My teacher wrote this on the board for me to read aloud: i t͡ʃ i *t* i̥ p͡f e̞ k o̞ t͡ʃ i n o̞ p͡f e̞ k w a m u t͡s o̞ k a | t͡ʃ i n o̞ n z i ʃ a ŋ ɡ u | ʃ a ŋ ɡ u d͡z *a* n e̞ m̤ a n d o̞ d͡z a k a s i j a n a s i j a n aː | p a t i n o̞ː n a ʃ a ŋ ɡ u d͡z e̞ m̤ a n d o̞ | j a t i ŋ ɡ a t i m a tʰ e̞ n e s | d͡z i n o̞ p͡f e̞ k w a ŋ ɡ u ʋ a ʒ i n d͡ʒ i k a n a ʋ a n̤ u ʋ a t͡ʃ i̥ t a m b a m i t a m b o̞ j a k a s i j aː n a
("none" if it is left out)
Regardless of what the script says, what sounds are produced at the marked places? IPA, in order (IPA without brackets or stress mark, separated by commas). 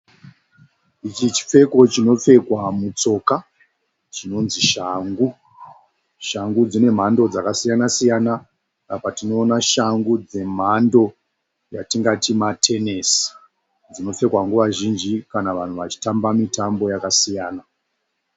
t͡ʃ, i